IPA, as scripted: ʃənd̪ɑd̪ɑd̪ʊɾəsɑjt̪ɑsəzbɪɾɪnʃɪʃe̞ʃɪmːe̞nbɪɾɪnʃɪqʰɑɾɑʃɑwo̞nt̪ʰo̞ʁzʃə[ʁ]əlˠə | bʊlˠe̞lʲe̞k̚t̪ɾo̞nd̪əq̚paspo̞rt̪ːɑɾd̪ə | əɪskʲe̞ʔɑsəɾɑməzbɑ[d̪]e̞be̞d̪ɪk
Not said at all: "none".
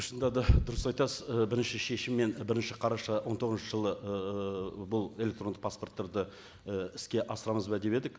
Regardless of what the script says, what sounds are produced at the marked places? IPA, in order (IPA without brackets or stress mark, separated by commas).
ʒ, d̪